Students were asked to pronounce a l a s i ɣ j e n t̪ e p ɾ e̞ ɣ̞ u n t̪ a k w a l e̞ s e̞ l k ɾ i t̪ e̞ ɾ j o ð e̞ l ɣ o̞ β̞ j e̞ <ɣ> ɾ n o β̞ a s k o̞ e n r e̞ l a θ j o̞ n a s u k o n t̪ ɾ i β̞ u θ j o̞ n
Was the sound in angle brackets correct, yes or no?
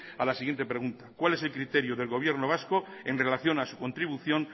no